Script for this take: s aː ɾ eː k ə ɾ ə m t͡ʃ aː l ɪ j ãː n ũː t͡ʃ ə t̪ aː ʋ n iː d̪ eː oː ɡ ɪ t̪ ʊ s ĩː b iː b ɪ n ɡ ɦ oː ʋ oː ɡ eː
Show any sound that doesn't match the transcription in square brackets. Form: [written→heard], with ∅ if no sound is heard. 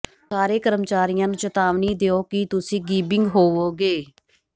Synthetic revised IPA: s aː ɾ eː k ə ɾ ə m t͡ʃ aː [l→ɾ] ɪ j ãː n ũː t͡ʃ ə t̪ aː ʋ n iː d̪ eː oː [ɡ→k] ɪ t̪ ʊ s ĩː [b→ɡ] iː b ɪ [n→ŋ] ɡ ɦ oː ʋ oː ɡ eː